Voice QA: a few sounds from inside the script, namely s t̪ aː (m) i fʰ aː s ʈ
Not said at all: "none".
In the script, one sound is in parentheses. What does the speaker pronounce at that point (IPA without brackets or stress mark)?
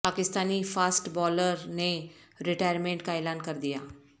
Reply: n